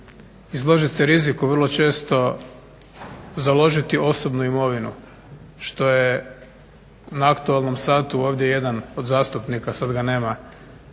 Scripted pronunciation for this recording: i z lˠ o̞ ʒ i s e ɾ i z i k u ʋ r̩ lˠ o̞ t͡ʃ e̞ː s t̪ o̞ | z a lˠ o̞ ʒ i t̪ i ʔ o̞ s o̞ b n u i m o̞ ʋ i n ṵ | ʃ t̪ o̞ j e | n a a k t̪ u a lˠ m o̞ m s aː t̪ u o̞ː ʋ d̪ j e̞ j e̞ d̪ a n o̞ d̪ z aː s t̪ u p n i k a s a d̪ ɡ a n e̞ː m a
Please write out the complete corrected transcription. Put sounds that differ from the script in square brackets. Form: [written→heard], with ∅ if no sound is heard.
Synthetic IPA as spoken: i z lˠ o̞ ʒ i s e ɾ i z i k u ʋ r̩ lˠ o̞ t͡ʃ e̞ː s t̪ o̞ | z a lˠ o̞ ʒ i t̪ i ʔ o̞ s o̞ b n u i m o̞ ʋ i n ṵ | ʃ t̪ o̞ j e | n a a k t̪ u a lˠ [m→n] o̞ m s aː t̪ u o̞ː ʋ d̪ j e̞ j e̞ d̪ a n o̞ d̪ z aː s t̪ u p n i k a s a d̪ ɡ a n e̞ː m a